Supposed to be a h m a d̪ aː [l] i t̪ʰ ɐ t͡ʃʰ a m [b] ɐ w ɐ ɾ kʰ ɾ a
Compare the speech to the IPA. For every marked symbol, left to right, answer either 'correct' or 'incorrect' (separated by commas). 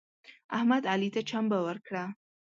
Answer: correct, correct